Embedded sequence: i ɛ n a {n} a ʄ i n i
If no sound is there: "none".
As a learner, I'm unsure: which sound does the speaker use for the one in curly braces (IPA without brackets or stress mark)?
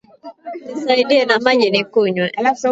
m